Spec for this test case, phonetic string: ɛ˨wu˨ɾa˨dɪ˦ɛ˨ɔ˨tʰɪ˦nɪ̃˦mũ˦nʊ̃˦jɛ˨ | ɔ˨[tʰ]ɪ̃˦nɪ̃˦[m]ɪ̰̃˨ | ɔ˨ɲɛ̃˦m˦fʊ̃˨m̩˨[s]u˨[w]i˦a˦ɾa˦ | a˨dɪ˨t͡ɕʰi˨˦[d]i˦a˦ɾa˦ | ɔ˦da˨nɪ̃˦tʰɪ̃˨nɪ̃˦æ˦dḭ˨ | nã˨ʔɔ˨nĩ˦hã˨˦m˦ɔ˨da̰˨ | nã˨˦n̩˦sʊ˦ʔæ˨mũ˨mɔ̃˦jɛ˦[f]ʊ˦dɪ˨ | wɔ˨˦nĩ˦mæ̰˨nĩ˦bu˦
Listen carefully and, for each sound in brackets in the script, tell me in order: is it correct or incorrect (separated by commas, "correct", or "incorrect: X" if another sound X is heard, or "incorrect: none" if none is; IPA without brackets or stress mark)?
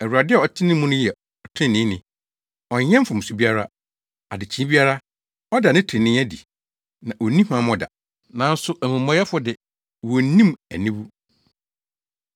correct, incorrect: n, correct, incorrect: b, incorrect: b, correct